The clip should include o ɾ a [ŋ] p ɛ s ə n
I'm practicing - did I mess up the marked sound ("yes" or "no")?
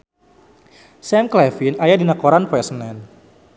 yes